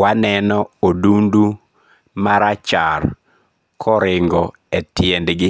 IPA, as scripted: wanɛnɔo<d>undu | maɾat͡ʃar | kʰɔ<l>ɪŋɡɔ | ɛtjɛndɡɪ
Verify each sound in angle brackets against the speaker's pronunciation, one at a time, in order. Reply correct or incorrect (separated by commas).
correct, incorrect